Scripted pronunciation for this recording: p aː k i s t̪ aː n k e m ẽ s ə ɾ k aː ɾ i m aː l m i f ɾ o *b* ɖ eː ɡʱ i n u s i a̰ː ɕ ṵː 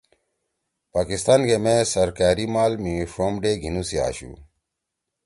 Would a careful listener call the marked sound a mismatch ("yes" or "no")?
yes